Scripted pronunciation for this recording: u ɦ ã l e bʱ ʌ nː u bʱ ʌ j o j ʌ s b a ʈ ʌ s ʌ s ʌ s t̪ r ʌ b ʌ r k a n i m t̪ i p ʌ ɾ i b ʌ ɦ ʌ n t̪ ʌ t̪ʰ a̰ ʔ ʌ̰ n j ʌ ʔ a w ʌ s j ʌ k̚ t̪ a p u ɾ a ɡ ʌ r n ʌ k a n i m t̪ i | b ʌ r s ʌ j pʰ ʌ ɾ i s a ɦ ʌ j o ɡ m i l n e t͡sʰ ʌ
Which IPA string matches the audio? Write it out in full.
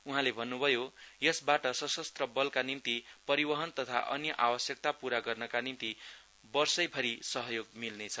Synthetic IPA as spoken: u ɦ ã l e bʱ ʌ nː u bʱ ʌ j o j ʌ s b a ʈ ʌ s ʌ s ʌ s t̪ r ʌ b ʌ l k a n i m t̪ i p ʌ ɾ i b ʌ ɦ ʌ n t̪ ʌ t̪ʰ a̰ ʔ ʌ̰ n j ʌ ʔ a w ʌ s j ʌ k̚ t̪ a p u ɾ a ɡ ʌ r n ʌ k a n i m t̪ i | b ʌ r s ʌ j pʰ ʌ ɾ i s ʌ ɦ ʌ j o ɡ m i l n e t͡sʰ ʌ